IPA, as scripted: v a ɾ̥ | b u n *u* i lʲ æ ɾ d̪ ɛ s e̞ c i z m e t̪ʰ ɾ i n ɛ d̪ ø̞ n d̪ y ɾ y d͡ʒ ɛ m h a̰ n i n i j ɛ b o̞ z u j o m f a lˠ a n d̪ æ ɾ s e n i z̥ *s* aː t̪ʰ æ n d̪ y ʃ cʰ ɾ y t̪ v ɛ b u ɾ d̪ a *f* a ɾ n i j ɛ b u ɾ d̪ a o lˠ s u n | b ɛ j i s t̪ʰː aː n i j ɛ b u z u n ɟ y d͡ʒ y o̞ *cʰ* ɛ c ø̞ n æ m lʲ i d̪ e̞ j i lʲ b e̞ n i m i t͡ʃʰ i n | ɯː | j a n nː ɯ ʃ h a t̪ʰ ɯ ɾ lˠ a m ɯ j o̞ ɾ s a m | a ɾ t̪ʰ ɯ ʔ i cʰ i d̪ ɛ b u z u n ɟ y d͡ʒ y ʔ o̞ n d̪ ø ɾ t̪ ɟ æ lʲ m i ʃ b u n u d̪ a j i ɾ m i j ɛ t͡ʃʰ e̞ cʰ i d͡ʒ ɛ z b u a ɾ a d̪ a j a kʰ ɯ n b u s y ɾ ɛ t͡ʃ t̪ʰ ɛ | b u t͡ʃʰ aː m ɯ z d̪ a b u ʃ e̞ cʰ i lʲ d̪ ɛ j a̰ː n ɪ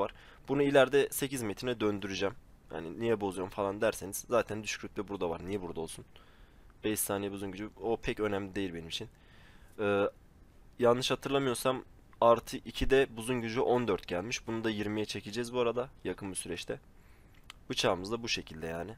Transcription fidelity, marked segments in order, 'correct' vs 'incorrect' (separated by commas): correct, incorrect, incorrect, incorrect